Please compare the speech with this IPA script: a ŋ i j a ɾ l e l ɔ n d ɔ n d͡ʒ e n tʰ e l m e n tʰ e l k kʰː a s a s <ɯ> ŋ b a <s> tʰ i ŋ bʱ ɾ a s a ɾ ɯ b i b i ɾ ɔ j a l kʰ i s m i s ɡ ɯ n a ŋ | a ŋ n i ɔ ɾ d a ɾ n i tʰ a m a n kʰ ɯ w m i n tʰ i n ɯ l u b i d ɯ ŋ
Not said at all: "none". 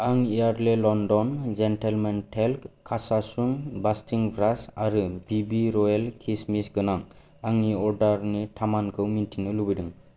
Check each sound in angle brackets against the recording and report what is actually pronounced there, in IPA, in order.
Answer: u, s

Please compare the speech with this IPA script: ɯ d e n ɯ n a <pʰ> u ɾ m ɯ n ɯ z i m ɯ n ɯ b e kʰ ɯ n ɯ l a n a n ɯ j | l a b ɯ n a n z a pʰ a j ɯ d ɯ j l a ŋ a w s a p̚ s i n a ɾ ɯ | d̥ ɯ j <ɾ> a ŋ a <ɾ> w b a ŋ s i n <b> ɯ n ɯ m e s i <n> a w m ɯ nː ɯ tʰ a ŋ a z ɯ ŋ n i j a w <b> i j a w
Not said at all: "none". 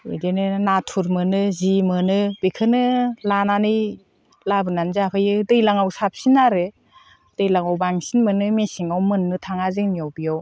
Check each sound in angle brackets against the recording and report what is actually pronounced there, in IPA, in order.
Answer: tʰ, l, none, m, ŋ, b

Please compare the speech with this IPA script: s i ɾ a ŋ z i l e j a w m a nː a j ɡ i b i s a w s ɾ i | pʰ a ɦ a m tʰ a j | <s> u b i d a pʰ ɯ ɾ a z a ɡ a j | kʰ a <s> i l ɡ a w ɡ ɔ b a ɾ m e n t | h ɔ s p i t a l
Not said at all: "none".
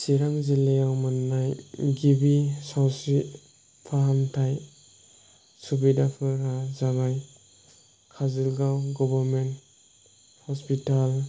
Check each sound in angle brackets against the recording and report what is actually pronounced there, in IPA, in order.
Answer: s, z

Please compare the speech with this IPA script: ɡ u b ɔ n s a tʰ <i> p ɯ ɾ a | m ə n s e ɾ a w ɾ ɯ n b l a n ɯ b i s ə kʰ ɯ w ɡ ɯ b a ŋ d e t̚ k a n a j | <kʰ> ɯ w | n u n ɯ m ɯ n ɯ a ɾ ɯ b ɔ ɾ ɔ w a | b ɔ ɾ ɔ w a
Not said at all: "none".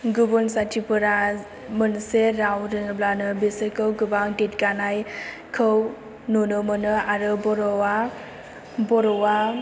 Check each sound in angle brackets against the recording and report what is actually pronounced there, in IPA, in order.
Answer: i, kʰ

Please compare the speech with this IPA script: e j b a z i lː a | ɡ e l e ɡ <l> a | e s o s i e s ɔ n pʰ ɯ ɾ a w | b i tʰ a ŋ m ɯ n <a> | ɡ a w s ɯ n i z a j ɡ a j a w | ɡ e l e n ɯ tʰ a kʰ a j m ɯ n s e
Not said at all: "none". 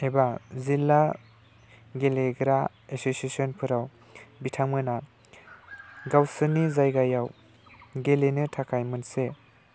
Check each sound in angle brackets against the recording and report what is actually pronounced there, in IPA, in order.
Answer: ɾ, a

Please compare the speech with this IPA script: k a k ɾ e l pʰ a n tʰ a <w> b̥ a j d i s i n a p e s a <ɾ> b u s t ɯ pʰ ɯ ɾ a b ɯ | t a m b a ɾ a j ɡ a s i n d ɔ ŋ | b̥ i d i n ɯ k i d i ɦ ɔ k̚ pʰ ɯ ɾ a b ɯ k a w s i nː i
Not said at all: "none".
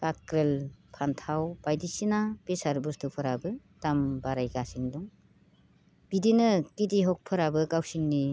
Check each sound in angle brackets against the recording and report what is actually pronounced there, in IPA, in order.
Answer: w, ɾ

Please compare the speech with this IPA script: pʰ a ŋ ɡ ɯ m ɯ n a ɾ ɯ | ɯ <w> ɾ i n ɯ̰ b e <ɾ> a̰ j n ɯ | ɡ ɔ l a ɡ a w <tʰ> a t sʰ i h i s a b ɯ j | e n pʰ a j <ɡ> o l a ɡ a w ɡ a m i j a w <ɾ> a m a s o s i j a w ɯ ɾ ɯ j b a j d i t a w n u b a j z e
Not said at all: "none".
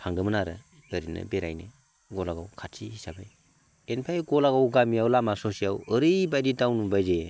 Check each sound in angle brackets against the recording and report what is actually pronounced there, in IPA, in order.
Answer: none, ɾ, kʰ, ɡ, l

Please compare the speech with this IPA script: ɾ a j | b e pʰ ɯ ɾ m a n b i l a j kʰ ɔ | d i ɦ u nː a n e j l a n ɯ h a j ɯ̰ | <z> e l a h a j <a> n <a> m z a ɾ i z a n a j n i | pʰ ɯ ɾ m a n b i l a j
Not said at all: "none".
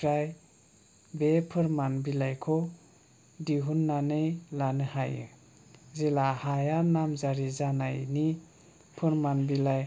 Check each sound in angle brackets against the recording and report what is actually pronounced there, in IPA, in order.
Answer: z, a, a

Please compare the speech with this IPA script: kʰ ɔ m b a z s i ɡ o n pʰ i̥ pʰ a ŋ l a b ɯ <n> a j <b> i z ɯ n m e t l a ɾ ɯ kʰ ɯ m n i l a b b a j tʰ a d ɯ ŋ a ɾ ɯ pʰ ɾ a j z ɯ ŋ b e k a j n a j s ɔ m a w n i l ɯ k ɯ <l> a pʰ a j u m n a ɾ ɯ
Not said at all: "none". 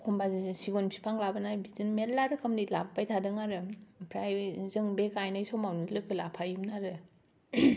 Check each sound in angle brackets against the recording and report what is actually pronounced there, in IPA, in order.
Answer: n, b, l

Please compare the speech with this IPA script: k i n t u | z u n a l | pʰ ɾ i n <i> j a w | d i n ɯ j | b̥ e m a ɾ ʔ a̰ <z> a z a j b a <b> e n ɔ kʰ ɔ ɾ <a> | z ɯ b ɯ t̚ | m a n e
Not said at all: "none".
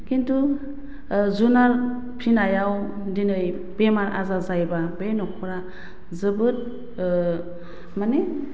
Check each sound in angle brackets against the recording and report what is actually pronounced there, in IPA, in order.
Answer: a, z, b, a

